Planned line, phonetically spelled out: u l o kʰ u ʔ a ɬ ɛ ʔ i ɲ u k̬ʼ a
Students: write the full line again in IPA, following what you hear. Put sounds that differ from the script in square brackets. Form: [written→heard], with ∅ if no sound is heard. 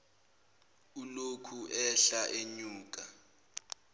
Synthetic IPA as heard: u l o kʰ u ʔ [a→ɛ] ɬ [ɛ→a] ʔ [i→e] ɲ [u→uː] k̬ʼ a